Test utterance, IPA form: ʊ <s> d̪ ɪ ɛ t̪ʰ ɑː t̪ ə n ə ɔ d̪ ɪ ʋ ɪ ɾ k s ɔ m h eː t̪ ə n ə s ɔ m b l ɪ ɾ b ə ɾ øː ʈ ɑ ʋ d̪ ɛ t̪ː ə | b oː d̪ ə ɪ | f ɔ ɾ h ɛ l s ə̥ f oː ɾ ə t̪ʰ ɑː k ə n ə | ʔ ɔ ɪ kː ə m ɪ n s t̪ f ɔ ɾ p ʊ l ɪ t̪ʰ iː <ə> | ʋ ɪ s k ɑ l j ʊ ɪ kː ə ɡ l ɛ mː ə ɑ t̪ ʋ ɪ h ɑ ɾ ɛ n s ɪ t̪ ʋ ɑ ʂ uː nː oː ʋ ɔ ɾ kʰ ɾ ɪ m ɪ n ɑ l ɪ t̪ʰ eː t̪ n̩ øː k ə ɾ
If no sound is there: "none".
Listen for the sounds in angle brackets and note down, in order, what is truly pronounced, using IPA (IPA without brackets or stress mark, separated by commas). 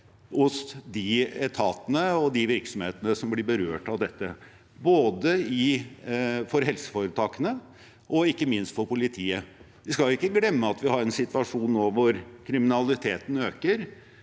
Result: s, ə